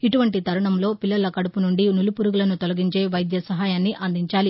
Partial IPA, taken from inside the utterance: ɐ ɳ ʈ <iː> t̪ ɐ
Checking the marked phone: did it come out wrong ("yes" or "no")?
yes